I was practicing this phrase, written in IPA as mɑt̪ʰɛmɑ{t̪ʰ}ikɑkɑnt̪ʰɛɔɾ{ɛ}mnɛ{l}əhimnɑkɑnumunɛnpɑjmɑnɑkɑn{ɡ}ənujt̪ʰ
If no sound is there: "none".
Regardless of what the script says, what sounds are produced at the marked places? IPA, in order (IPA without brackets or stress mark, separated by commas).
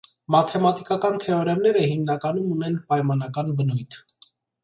t̪, ɛ, ɾ, b